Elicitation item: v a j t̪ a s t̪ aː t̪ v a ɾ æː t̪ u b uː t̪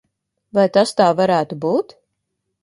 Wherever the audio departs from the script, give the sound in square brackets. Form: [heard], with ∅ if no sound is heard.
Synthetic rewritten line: v a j t̪ a s t̪ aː [∅] v a ɾ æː t̪ u b uː t̪